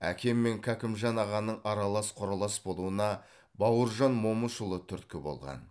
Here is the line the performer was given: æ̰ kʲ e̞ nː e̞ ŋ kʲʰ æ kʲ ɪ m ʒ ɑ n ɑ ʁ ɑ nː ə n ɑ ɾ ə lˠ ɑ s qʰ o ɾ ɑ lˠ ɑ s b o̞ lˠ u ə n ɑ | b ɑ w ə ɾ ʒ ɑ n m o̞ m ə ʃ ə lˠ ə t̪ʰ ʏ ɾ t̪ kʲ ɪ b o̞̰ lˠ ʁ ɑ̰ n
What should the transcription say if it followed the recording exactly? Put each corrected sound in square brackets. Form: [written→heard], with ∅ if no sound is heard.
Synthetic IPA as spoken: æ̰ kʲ e̞ [nː→mː] e̞ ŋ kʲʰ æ kʲ ɪ m ʒ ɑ n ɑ ʁ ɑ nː ə [n→ɴ] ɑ ɾ [ə→ɑ] lˠ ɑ s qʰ o ɾ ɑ lˠ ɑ s b o̞ lˠ u ə n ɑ | b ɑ w ə ɾ ʒ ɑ n m o̞ m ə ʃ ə lˠ ə t̪ʰ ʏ ɾ t̪ kʲ ɪ b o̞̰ lˠ ʁ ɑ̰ n